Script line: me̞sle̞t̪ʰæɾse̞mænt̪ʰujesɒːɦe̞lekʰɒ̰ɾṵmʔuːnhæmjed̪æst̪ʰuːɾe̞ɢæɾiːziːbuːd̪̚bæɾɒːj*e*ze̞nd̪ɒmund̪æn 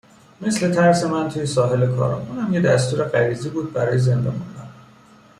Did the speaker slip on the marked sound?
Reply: no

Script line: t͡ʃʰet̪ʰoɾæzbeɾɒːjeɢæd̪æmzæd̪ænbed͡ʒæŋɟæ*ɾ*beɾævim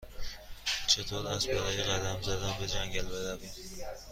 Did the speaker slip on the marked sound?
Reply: yes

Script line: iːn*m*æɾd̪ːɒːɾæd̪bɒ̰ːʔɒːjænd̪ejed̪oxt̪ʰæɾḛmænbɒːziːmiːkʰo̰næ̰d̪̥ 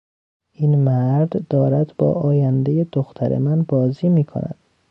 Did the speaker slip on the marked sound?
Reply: no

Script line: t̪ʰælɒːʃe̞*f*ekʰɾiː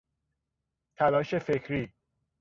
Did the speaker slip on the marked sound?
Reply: no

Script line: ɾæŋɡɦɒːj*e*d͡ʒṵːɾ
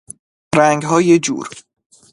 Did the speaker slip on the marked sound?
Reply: no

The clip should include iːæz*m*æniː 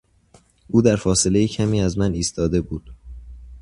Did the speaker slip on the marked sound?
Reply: no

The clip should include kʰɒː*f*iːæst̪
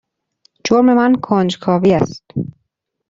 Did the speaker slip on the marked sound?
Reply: yes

